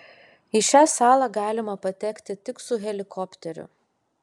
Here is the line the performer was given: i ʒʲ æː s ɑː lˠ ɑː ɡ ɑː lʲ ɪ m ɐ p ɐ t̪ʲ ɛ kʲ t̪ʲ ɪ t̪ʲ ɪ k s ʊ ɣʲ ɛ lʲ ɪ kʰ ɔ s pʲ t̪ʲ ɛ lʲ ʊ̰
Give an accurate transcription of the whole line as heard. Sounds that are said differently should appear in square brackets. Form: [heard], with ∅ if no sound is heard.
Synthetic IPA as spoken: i [ʃʲ] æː s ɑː lˠ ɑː ɡ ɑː lʲ ɪ m ɐ p ɐ t̪ʲ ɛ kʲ t̪ʲ ɪ t̪ʲ ɪ k s ʊ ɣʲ ɛ lʲ ɪ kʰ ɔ [∅] pʲ t̪ʲ ɛ [ɾʲ] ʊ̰